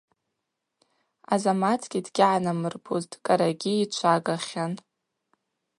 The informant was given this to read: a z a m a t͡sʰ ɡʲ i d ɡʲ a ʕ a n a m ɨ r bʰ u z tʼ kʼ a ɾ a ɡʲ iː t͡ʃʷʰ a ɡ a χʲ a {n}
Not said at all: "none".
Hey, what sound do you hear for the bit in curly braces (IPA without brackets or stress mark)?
n